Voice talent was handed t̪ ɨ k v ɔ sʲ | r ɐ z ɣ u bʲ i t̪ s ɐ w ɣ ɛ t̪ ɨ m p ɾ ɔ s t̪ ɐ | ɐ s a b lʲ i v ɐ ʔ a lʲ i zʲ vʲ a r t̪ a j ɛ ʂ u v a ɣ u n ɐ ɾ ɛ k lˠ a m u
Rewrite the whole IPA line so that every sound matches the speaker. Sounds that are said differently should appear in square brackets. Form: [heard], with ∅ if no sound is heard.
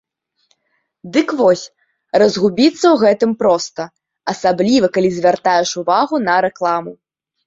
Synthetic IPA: [d̪] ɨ k v ɔ sʲ | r ɐ z ɣ u bʲ i t̪ [sː] ɐ w ɣ ɛ t̪ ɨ m p ɾ ɔ s t̪ ɐ | ɐ s a b lʲ i v ɐ [k] a lʲ i zʲ vʲ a r t̪ a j ɛ ʂ u v a ɣ u n ɐ ɾ ɛ k lˠ a m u